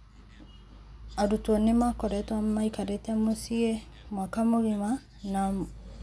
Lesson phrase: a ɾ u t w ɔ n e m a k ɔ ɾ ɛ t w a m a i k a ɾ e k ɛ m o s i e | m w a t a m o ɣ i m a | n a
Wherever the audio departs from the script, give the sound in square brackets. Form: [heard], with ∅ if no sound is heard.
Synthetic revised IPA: a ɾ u t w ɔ n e m a k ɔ ɾ ɛ t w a m a i k a ɾ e [t] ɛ m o s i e | m w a [k] a m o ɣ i m a | n a